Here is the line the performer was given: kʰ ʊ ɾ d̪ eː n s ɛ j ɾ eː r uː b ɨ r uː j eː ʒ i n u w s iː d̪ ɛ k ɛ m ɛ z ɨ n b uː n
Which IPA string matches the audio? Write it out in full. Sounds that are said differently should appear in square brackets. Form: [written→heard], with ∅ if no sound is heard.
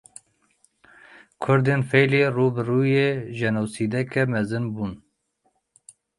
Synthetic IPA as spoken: kʰ ʊ ɾ d̪ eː n [s→f] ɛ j [ɾ→l] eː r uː b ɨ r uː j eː ʒ [i→ɛ] n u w s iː d̪ ɛ k ɛ m ɛ z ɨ n b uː n